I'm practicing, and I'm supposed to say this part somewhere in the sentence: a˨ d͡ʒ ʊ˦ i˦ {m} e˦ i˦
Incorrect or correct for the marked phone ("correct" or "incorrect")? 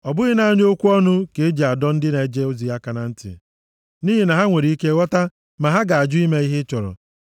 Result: correct